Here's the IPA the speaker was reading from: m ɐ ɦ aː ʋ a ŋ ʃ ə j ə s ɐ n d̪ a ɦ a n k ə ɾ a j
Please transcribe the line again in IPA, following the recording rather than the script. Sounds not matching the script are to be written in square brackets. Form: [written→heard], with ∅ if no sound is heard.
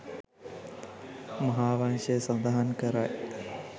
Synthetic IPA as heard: m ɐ ɦ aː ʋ a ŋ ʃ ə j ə s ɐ n d̪ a ɦ a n k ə ɾ a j